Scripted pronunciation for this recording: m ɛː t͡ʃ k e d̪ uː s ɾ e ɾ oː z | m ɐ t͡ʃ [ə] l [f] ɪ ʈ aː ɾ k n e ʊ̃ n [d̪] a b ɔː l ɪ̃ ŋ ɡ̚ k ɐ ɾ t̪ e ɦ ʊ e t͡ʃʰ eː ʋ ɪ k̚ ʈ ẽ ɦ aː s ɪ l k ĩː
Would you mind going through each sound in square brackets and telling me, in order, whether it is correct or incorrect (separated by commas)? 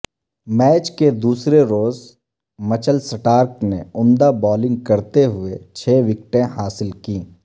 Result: correct, incorrect, correct